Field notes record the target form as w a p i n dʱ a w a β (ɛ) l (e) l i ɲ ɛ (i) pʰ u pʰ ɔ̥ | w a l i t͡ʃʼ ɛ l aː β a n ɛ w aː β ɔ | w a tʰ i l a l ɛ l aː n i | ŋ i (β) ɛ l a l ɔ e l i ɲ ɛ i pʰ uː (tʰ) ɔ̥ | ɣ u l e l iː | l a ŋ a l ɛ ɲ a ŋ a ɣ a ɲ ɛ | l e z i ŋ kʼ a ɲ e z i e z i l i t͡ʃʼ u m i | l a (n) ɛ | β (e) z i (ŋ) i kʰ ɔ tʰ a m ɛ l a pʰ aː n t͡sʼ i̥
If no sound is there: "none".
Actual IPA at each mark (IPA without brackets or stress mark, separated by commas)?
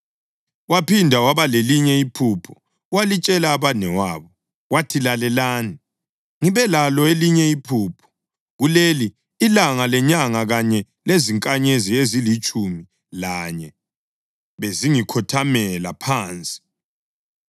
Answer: a, e, i, β, pʰ, ɲ, e, ŋ